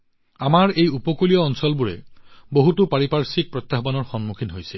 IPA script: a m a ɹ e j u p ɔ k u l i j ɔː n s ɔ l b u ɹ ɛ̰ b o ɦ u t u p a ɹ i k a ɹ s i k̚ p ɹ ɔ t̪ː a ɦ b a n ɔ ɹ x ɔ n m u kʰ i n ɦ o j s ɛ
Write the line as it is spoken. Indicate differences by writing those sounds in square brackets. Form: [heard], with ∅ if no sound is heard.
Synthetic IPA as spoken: a m a ɹ e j u p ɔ k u l i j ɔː n s ɔ l b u ɹ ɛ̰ b o ɦ u t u p a ɹ i [p] a ɹ s i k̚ p ɹ ɔ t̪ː a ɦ b a n ɔ ɹ x ɔ n m u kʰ i n ɦ o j s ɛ

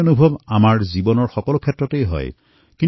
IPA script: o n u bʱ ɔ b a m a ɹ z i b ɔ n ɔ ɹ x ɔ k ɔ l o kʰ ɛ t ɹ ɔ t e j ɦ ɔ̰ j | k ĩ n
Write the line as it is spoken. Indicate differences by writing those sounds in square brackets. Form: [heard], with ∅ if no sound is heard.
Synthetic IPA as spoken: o n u bʱ ɔ b a m a ɹ z i b ɔ n ɔ ɹ x ɔ k ɔ l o kʰ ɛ t ɹ ɔ t e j ɦ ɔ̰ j | k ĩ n

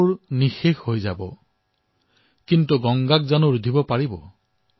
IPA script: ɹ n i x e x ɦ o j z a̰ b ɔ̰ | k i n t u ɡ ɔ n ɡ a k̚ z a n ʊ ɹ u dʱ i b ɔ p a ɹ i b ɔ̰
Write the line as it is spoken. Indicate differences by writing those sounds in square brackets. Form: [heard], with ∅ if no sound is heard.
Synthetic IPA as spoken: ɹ n i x e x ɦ o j z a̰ b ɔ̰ | k i n t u ɡ ɔ [ŋ] ɡ a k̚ z a n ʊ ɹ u dʱ i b ɔ p a ɹ i b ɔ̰

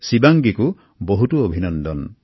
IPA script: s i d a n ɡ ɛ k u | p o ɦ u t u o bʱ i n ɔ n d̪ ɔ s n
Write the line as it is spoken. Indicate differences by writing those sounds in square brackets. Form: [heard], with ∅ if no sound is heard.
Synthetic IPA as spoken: s i [b] a [ŋ] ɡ [i] k u | [b] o ɦ u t u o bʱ i n ɔ n d̪ ɔ [∅] n

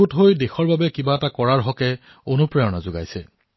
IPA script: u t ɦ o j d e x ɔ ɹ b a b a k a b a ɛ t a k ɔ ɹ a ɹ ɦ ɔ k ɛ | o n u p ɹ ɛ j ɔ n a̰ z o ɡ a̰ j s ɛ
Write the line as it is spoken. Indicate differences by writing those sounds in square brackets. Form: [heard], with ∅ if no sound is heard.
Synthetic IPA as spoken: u t ɦ o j d e x ɔ ɹ b a b [ɛ] k [i] b a ɛ t a k ɔ ɹ a ɹ ɦ ɔ k ɛ | o n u p ɹ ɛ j ɔ n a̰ z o ɡ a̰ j s ɛ

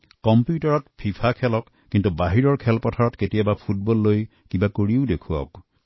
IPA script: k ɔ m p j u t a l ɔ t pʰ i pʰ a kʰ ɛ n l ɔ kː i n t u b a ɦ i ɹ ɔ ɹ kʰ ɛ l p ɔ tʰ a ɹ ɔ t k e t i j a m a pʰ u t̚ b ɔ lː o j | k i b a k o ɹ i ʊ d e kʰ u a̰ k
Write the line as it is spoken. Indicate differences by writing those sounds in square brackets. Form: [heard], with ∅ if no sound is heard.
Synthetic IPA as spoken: k ɔ m p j u t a [ɹ] ɔ t pʰ i pʰ a kʰ ɛ [∅] l ɔ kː i n t u b a ɦ i ɹ ɔ ɹ kʰ ɛ l p ɔ tʰ a ɹ ɔ t k e t i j a [b] a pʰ u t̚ b ɔ lː o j | k i b a k o ɹ i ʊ d e kʰ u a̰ k

